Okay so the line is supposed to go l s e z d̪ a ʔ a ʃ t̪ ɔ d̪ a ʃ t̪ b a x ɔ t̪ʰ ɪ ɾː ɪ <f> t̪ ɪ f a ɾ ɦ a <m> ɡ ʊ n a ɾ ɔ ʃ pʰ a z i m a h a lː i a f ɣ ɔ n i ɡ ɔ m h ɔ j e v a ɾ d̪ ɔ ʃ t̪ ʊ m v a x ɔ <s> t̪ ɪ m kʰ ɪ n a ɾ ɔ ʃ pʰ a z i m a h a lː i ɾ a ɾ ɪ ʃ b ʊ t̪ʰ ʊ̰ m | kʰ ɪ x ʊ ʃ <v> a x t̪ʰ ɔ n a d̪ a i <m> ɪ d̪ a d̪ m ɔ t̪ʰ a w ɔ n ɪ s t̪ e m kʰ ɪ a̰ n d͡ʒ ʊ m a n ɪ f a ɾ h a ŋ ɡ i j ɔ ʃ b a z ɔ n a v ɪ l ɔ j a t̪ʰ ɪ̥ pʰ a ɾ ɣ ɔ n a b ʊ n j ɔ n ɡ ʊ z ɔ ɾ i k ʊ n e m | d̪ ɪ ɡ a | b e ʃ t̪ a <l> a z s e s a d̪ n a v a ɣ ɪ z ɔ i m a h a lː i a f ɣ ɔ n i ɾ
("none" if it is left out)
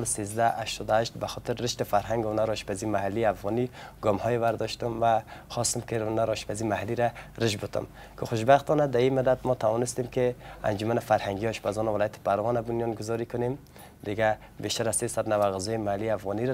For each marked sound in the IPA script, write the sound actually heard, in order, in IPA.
ʃ, ŋ, s, b, m, ɾ

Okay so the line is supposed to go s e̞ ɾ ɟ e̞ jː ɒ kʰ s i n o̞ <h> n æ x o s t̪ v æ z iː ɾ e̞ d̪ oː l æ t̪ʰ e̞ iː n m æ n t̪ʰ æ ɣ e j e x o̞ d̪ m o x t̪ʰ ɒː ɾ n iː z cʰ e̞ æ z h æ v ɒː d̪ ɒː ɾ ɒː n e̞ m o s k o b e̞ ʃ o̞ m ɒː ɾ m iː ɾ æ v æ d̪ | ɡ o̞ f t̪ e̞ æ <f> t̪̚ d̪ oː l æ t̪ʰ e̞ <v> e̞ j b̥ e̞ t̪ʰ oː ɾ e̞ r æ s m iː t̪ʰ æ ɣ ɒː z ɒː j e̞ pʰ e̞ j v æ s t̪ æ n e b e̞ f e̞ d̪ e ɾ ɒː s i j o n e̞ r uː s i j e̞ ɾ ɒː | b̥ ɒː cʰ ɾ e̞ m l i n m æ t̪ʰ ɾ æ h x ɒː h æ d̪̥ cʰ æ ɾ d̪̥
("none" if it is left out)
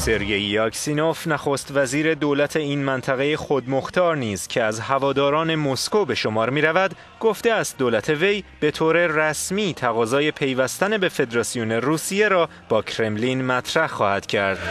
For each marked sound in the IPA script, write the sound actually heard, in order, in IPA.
f, s, v

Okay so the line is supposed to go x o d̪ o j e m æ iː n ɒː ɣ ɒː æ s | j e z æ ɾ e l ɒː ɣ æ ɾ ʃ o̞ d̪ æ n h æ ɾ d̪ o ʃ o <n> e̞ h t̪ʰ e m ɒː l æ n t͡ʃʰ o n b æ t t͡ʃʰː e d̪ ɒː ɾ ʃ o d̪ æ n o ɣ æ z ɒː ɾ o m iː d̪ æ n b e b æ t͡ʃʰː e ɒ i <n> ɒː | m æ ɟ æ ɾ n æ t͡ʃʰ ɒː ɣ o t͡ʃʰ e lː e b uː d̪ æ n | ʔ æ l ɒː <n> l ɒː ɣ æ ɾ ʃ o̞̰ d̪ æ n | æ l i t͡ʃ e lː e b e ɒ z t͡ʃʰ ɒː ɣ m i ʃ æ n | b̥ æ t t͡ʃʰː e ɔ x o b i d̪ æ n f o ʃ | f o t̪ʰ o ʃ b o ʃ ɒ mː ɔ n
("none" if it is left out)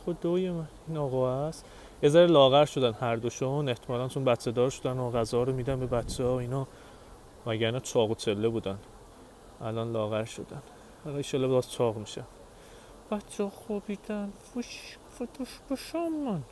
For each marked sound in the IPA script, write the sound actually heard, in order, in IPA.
n, n, n

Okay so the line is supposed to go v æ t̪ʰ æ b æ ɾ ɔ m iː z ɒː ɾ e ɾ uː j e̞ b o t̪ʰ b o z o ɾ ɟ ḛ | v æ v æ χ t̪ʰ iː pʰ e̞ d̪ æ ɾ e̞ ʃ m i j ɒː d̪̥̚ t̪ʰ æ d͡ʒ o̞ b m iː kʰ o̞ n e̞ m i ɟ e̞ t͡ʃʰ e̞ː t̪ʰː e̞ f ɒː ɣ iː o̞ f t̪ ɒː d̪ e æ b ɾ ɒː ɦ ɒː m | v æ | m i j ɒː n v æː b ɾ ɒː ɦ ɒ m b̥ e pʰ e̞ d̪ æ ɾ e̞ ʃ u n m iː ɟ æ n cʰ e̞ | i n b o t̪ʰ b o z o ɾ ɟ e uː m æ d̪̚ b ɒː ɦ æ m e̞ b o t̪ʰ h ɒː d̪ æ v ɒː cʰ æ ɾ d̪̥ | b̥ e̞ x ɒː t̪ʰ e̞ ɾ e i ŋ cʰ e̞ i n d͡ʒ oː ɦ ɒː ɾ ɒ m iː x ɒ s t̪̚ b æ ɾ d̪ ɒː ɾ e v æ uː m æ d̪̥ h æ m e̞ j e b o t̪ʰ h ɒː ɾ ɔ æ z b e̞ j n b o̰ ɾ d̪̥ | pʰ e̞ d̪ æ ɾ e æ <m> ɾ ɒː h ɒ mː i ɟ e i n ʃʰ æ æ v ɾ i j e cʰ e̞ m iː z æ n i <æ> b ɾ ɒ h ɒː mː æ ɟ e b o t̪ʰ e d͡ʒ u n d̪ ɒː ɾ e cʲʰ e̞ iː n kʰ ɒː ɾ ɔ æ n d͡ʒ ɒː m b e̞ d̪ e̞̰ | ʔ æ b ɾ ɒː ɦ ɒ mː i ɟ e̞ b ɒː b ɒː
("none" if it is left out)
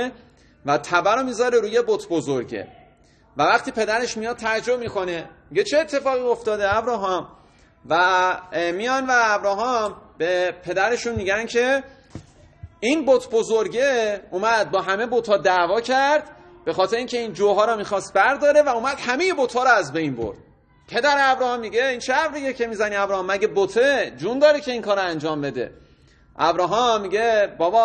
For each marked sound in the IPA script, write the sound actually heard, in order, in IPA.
b, æ

